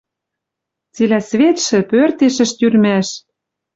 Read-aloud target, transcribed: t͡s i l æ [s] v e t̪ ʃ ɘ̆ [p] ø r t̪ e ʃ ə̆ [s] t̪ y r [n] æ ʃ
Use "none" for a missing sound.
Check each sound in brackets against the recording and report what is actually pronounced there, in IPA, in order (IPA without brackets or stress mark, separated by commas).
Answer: s, p, ʃ, m